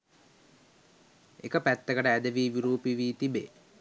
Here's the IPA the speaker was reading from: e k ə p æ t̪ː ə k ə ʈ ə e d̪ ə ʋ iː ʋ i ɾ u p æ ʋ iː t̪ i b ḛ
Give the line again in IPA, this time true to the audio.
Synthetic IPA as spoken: e k ə p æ t̪ː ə k ə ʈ ə æ d̪ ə ʋ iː ʋ i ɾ uː p i ʋ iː t̪ i b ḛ